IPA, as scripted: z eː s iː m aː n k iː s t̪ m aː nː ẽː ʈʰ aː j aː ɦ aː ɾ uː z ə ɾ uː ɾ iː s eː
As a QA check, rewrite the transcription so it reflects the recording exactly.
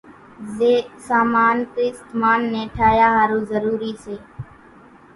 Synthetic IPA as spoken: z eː s aː m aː n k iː s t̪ m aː nː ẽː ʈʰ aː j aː ɦ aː ɾ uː z ə ɾ uː ɾ iː s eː